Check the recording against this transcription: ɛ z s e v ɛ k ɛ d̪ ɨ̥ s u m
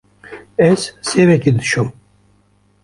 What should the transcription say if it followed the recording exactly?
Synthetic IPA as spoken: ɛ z s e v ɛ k i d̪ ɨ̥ ʃ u m